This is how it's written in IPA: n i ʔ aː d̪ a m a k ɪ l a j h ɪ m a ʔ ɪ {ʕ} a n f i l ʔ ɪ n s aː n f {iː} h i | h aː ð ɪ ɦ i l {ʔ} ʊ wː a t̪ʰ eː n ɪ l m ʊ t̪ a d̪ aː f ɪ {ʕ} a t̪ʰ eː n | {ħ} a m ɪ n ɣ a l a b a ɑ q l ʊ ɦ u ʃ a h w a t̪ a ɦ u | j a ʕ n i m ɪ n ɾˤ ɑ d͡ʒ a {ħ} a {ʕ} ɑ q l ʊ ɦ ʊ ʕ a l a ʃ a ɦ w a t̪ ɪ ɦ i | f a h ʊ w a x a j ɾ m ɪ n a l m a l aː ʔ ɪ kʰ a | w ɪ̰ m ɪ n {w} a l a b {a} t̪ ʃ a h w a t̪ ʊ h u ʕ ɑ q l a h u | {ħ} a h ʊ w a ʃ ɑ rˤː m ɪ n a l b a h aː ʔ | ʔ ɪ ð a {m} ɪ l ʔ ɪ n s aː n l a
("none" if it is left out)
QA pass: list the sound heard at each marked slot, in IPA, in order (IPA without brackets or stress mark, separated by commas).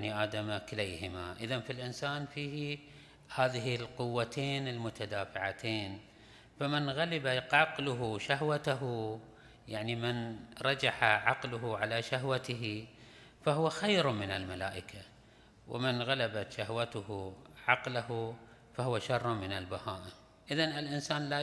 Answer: ð, iː, q, ʕ, f, ħ, ʕ, ɣ, a, f, n